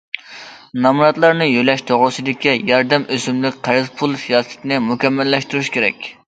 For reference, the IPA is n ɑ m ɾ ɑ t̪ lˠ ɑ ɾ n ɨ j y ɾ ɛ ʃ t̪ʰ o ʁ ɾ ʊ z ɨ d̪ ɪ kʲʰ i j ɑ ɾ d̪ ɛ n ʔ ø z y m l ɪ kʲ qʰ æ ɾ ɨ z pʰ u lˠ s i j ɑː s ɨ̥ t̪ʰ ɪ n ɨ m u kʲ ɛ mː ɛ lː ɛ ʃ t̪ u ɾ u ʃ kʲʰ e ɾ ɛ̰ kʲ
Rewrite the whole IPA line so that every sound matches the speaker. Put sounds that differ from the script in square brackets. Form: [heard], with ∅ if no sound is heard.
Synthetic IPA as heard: n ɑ m ɾ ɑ t̪ lˠ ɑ ɾ n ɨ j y [l] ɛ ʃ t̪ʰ o ʁ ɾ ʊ [s] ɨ d̪ ɪ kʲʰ i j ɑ ɾ d̪ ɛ [m] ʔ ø z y m l ɪ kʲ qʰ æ ɾ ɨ z pʰ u lˠ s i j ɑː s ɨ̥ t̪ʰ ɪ n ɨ m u kʲ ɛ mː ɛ lː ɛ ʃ t̪ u ɾ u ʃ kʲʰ e ɾ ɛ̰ kʲ